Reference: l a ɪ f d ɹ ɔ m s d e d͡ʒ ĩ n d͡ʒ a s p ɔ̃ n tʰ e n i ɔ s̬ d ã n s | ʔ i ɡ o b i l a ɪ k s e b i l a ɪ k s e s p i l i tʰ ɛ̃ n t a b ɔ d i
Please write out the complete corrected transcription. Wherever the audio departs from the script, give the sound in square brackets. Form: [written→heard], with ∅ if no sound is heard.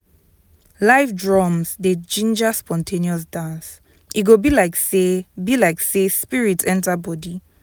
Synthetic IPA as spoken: l a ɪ f d ɹ ɔ m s d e d͡ʒ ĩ n d͡ʒ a s p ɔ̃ n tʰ e n i ɔ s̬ d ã n s | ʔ i ɡ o b i l a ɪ k s e b i l a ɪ k s e s p i [l→ɹ] i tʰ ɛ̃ n t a b ɔ d i